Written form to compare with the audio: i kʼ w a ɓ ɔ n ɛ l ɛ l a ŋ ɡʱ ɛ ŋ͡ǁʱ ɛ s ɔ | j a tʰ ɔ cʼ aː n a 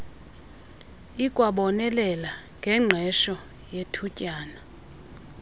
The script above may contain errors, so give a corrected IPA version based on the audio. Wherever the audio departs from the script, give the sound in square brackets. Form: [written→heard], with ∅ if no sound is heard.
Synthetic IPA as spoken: i kʼ w a ɓ ɔ n ɛ l ɛ l a ŋ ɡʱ ɛ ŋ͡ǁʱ ɛ [s→ʃ] ɔ | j [a→e] tʰ [ɔ→u] cʼ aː n a